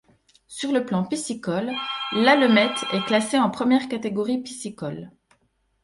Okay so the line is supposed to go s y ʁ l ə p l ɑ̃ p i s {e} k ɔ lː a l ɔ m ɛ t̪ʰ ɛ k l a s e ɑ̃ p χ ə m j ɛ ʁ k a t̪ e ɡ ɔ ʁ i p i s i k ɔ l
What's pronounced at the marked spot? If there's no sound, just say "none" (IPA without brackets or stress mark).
i